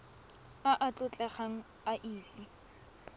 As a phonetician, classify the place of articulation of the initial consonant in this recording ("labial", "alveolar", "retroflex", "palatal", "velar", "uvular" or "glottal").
glottal